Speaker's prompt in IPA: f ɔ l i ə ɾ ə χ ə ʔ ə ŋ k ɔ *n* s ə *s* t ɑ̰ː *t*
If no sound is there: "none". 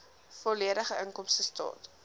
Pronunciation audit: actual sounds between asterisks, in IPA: m, s, t

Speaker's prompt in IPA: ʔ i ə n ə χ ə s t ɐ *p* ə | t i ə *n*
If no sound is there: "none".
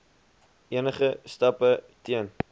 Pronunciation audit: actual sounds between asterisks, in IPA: p, n

